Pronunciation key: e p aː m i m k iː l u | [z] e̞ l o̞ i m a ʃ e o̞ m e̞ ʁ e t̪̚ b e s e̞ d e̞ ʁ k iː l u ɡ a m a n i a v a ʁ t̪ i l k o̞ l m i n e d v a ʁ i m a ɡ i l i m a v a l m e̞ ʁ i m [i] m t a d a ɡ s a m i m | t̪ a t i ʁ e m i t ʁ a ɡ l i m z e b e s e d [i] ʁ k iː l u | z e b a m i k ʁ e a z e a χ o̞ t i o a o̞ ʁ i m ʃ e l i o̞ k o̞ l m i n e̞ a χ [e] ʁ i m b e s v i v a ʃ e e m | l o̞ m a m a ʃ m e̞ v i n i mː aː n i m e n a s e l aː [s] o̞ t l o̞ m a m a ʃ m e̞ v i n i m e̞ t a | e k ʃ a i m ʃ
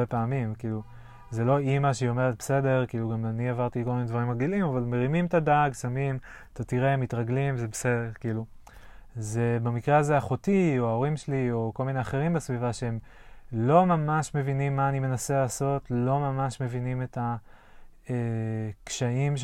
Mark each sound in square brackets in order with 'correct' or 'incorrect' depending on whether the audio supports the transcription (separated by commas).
correct, correct, incorrect, correct, correct